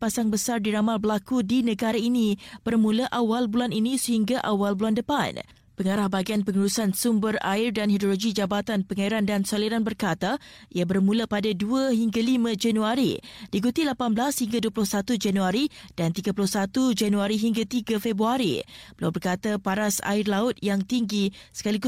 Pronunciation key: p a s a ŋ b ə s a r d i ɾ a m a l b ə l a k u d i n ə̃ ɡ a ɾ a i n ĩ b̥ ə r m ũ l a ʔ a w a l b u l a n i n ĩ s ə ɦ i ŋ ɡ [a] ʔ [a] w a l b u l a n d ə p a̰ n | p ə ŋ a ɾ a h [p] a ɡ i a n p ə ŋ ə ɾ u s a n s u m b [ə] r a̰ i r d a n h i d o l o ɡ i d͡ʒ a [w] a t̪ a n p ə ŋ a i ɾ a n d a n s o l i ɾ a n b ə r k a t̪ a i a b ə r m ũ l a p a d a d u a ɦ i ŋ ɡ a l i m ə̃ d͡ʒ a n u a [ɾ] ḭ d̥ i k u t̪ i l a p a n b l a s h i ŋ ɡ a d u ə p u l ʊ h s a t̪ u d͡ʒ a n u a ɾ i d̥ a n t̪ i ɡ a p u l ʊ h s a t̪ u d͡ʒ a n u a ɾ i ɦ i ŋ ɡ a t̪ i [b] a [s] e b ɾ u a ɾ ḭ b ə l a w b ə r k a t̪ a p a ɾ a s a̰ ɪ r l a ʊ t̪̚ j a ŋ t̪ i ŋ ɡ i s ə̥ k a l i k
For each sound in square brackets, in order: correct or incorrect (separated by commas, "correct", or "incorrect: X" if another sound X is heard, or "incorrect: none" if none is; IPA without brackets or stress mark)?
correct, correct, incorrect: b, correct, incorrect: b, correct, incorrect: ɡ, incorrect: f